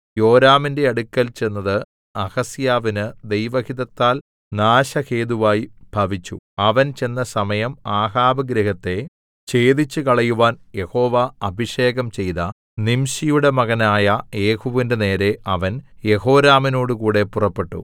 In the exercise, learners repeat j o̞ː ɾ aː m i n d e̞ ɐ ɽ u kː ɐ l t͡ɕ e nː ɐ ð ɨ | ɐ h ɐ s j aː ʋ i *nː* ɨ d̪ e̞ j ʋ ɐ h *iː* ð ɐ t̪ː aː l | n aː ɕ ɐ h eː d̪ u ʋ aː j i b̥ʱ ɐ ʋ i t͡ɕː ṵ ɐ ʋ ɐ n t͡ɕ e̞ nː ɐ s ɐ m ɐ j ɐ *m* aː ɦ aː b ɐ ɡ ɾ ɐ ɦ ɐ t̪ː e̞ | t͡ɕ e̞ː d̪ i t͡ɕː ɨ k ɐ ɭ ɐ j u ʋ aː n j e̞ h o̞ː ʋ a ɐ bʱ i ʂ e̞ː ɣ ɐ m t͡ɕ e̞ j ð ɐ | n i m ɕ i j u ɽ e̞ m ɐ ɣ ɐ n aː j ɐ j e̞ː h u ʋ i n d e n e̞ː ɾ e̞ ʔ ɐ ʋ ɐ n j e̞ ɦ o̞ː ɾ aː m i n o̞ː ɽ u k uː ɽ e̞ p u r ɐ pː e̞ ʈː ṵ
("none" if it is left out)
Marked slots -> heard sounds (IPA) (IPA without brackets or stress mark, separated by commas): n, i, m